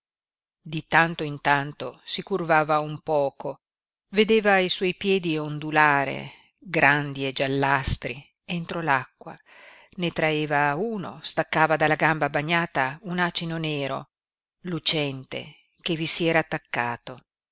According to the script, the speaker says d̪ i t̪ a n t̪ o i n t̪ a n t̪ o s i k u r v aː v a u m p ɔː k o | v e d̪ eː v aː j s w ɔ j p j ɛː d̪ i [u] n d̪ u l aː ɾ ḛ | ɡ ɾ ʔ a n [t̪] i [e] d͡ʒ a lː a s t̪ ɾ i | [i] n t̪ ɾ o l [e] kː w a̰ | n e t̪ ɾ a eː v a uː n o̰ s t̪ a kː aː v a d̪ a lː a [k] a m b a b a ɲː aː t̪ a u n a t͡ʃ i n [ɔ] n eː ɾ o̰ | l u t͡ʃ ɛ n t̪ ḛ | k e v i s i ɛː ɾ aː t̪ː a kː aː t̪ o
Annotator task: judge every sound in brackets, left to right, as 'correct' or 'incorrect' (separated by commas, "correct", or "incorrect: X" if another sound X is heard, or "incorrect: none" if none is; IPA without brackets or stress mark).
incorrect: o, incorrect: d̪, correct, incorrect: e, incorrect: a, incorrect: ɡ, incorrect: o